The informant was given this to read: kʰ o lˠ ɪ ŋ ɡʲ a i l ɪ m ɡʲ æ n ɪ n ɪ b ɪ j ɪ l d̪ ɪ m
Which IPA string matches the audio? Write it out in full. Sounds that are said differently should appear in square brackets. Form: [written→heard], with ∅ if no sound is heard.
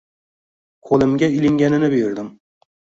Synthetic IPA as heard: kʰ o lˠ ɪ [ŋ→m] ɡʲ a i l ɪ [m→ŋ] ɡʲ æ n ɪ n ɪ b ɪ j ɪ [l→ɾ] d̪ ɪ m